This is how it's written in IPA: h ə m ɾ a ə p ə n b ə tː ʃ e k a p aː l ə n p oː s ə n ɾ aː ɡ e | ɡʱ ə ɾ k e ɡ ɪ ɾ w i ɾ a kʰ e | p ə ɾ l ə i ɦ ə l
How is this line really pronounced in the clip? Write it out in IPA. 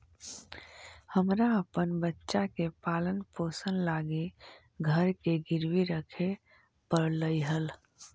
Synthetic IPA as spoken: h ə m ɾ a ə p ə n b ə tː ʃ a k e p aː l ə n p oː s ə n l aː ɡ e | ɡʱ ə ɾ k e ɡ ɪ ɾ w i ɾ ə kʰ e | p ə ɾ l ə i ɦ ə l

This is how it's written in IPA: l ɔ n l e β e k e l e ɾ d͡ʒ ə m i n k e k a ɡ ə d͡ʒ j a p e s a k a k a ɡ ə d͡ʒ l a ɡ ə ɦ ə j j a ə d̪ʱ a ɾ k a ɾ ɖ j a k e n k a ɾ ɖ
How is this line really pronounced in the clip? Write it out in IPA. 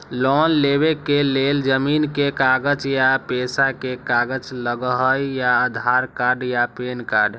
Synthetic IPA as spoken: l ɔ n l e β e k e l e l d͡ʒ ə m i n k e k a ɡ ə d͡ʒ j a p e s a k e k a ɡ ə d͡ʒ l ə ɡ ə ɦ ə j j a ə d̪ʱ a ɾ k a ɾ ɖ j a p e n k a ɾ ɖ

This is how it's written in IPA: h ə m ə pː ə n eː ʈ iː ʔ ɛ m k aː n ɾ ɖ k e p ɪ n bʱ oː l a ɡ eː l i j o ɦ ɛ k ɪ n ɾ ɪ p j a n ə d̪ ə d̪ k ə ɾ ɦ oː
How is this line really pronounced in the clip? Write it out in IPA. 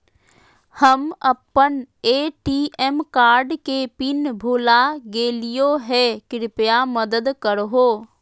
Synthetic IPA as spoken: h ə m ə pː ə n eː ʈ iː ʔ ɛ m k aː ɾ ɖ k e p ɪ n bʱ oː l a ɡ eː l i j o ɦ ɛ k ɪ ɾ ɪ p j a m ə d̪ ə d̪ k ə ɾ ɦ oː

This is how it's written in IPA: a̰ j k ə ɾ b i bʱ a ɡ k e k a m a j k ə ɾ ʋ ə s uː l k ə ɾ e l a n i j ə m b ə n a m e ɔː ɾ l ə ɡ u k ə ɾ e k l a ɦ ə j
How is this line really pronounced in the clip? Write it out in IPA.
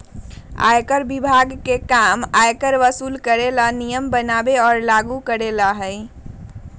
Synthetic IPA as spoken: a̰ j k ə ɾ b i bʱ a ɡ k e k a m a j k ə ɾ ʋ ə s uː l k ə ɾ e l a n i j ə m b ə n a b e ɔː ɾ l a ɡ u k ə ɾ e l a ɦ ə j

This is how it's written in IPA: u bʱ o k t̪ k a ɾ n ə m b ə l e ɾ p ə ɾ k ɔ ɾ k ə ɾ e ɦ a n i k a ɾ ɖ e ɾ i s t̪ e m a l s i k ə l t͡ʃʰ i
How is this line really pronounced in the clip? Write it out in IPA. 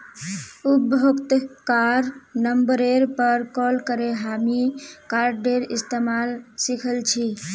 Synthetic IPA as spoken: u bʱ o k t̪ k a ɾ n ə m b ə ɾ e ɾ p ə ɾ k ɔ l k ə ɾ e ɦ a m i k a ɾ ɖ e ɾ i s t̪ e m a l s i kʰ ə l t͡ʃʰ i

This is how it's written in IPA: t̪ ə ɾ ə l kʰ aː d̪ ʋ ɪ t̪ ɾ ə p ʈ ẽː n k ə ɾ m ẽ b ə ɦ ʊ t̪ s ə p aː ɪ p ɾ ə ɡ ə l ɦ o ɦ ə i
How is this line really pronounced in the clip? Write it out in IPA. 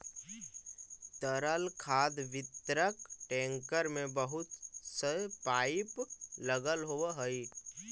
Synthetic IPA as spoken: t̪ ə ɾ ə l kʰ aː d̪ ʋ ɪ t̪ ɾ ə k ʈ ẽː ŋ k ə ɾ m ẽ b ə ɦ ʊ t̪ s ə p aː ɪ p l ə ɡ ə l ɦ o ɦ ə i

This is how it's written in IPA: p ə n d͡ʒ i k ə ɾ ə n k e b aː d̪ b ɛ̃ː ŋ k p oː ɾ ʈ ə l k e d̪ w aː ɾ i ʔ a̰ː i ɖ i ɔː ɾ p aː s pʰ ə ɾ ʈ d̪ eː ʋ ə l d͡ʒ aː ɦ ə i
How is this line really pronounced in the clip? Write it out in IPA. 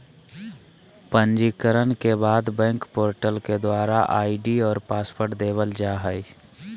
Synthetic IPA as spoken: p ə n d͡ʒ i k ə ɾ ə n k e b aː d̪ b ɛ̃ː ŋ k p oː ɾ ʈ ə l k e d̪ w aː ɾ a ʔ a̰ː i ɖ i ɔː ɾ p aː s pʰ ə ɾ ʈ d̪ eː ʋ ə l d͡ʒ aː ɦ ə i

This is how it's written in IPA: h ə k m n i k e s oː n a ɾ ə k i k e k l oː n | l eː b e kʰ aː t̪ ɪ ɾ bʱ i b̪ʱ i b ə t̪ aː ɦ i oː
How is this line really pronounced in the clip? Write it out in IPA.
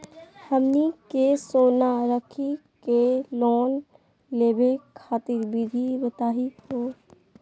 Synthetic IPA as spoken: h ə m n i k e s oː n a ɾ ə kʰ i k e l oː n | l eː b e kʰ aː t̪ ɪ ɾ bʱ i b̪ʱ i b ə t̪ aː ɦ i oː

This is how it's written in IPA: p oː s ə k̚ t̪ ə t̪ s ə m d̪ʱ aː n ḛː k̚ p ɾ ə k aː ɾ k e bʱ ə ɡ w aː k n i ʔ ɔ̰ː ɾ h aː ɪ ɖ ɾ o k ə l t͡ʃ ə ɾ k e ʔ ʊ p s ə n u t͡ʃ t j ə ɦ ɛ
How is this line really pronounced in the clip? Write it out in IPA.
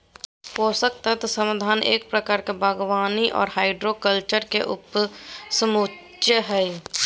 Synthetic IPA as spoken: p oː s ə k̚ t̪ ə t̪ s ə m d̪ʱ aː n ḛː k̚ p ɾ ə k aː ɾ k e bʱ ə ɡ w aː n i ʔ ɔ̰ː ɾ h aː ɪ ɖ ɾ o k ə l t͡ʃ ə ɾ k e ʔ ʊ p s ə m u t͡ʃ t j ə ɦ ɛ

